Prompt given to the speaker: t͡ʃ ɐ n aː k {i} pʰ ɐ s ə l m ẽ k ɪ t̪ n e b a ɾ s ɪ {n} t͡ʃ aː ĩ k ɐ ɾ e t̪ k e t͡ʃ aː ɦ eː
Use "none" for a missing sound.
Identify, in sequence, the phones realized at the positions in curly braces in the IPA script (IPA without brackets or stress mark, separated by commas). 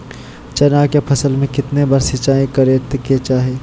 e, none